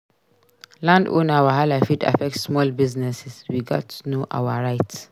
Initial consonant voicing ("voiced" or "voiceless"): voiced